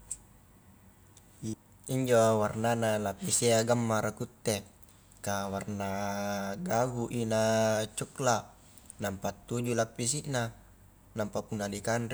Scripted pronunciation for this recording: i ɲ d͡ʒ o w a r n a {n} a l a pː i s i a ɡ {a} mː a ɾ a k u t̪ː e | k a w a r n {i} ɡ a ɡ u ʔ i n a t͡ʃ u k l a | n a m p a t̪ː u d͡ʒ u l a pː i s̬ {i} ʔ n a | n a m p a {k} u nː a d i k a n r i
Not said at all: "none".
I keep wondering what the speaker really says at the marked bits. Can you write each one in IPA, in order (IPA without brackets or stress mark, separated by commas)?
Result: n, a, a, i, p